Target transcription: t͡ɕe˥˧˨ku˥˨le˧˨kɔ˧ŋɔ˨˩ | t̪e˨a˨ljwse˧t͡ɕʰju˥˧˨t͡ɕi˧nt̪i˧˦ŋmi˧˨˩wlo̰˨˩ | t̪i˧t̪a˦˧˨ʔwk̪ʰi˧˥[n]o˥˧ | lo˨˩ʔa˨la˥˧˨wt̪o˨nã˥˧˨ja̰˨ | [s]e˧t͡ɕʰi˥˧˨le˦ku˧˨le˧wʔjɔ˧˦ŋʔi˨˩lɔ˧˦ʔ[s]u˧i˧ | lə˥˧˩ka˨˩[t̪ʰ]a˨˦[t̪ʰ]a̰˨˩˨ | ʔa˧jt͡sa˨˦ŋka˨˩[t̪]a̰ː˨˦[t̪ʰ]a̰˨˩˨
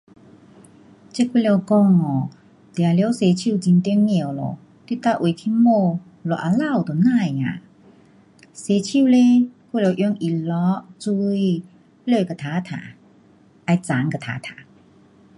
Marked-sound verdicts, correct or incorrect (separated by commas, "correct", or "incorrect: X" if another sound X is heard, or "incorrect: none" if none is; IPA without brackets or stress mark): incorrect: m, correct, incorrect: t͡s, correct, correct, incorrect: t̪ʰ, correct